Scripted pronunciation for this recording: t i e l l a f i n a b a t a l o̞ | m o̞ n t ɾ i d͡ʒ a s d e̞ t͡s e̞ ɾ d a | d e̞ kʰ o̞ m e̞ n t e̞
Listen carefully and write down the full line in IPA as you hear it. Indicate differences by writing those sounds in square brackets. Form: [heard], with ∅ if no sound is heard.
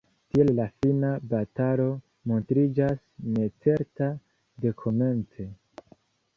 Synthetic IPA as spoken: t i e l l a f i n a b a t a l o̞ | m o̞ n t ɾ i d͡ʒ a s [n] e̞ t͡s e̞ ɾ [t] a | d e̞ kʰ o̞ m e̞ n [t͡s] e̞